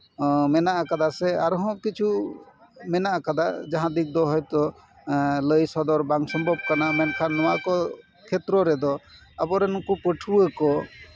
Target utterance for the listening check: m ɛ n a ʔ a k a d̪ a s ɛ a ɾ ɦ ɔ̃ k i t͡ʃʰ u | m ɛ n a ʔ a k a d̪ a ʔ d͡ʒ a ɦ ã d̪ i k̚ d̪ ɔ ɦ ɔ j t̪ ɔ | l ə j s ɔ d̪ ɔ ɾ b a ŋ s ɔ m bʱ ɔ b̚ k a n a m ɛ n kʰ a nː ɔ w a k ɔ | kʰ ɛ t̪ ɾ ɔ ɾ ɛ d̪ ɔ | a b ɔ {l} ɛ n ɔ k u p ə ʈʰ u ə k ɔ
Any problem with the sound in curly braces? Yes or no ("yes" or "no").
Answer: yes